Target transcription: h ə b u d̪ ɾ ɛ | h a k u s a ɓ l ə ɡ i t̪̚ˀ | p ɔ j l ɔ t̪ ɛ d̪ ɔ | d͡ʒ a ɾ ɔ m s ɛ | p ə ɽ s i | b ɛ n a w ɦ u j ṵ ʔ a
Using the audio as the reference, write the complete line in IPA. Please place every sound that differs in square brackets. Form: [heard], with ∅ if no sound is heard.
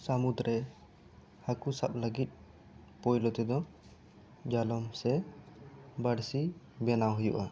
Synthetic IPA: [s] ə [m] u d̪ ɾ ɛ | h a k u s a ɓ l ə ɡ i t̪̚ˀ | p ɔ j l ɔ t̪ ɛ d̪ ɔ | d͡ʒ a [l] ɔ m s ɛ | [b] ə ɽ s i | b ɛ n a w ɦ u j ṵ ʔ a

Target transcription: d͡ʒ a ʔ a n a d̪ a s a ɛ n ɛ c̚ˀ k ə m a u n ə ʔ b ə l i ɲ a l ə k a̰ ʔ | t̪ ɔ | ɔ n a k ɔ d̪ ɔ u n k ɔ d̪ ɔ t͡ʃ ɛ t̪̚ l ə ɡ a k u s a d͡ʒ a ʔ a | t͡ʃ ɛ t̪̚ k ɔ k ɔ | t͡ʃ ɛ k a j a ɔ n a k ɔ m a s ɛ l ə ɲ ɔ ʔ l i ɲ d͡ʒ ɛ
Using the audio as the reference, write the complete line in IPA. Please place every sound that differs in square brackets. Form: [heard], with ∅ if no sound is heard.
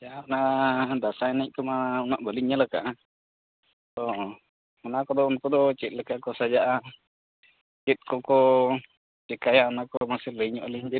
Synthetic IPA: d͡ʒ a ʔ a n a d̪ a s a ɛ n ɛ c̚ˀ k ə m a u n [a] ʔ b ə l i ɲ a l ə k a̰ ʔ | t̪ ɔ | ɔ n a k ɔ d̪ ɔ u n k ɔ d̪ ɔ t͡ʃ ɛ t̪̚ l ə [k] a k [ɔ] s a d͡ʒ a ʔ a | t͡ʃ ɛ t̪̚ k ɔ k ɔ | t͡ʃ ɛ k a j a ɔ n a k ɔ m a s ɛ l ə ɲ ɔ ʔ l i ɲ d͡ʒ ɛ

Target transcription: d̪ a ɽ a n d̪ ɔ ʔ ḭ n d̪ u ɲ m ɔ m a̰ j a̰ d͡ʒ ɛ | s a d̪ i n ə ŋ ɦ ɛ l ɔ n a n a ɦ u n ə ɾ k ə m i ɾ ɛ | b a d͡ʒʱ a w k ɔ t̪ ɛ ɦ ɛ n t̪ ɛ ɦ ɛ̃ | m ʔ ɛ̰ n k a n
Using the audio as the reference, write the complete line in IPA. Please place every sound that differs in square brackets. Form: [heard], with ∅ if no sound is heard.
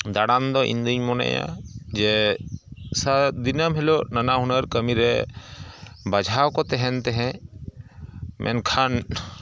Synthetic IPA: d̪ a ɽ a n d̪ ɔ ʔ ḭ n d̪ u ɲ m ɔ [n] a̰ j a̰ d͡ʒ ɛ | s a d̪ i n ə [m] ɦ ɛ l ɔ n a n a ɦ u n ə ɾ k ə m i ɾ ɛ | b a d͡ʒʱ a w k ɔ t̪ ɛ ɦ ɛ n t̪ ɛ ɦ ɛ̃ | m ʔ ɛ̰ n [kʰ] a n

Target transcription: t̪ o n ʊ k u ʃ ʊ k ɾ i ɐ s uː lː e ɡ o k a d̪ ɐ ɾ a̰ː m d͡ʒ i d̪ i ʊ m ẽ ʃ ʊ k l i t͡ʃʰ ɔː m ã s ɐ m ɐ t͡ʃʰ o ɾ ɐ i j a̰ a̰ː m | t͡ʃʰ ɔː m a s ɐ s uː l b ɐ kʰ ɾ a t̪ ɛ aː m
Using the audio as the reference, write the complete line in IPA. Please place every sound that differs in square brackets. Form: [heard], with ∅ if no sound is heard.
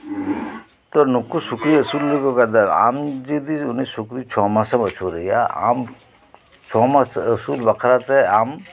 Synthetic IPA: t̪ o n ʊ k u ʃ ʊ k ɾ i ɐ s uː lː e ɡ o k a d̪ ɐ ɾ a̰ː m d͡ʒ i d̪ i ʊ [n] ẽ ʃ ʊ k [ɾ] i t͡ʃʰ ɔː m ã s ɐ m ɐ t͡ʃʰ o ɾ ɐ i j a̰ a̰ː m | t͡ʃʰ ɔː m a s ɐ s uː l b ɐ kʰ ɾ a t̪ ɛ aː m

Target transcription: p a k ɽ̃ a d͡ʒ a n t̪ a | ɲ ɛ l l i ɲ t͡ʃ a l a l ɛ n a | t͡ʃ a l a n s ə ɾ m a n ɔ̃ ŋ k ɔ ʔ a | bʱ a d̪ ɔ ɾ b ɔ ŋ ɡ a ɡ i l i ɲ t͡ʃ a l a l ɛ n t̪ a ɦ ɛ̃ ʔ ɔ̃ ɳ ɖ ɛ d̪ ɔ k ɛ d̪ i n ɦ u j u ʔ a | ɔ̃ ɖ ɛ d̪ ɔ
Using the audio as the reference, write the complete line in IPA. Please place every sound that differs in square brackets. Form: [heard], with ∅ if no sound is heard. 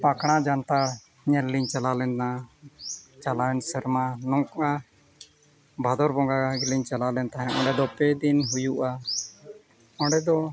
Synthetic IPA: p a k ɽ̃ a d͡ʒ a n t̪ a | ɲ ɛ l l i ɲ t͡ʃ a l a l ɛ n a | t͡ʃ a l a n s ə ɾ m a n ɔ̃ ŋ k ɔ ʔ a | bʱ a d̪ ɔ ɾ b ɔ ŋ ɡ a ɡ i l i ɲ t͡ʃ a l a l ɛ n t̪ a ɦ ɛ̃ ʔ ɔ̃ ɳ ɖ ɛ d̪ ɔ [p] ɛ d̪ i n ɦ u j u ʔ a | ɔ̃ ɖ ɛ d̪ ɔ

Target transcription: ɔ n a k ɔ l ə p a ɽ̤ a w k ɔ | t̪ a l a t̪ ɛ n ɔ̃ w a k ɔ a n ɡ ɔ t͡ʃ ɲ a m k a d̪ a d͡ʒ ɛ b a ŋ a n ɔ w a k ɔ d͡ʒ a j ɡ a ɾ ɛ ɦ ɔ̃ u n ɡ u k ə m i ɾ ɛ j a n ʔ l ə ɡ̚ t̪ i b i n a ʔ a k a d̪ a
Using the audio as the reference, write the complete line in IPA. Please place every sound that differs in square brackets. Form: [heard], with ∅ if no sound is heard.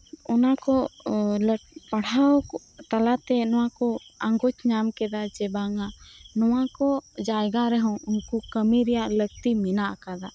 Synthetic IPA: ɔ n a k ɔ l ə p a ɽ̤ a w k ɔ | t̪ a l a t̪ ɛ n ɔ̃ w a k ɔ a [ŋ] ɡ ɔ t͡ʃ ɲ a m k [ɛ] d̪ a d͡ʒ ɛ b a ŋ a n ɔ w a k ɔ d͡ʒ a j ɡ a ɾ ɛ ɦ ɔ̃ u n [k] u k ə m i ɾ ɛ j a [∅] ʔ l ə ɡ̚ t̪ i [m] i n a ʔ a k a d̪ a

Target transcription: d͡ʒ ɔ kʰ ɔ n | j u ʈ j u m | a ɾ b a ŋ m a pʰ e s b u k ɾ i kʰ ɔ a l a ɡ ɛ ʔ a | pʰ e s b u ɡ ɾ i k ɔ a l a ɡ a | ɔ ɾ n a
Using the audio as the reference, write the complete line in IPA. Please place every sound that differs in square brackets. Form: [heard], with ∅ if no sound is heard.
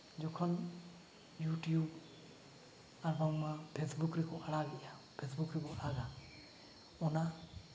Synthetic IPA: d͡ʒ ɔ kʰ ɔ n | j u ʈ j u [b] | a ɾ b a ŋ m a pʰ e s b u k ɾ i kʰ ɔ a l a ɡ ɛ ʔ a | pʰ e s b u [k] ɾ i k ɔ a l a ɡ a | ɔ [∅] n a

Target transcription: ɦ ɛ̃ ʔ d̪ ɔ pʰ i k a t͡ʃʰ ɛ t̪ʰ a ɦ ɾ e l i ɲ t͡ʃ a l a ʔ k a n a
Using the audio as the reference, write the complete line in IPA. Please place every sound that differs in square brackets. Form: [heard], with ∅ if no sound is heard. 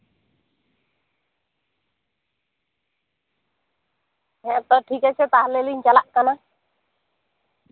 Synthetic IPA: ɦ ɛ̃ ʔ [t̪] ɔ [ʈʰ] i k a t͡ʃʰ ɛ [t̪] a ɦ [l] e l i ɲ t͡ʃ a l a ʔ k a n a

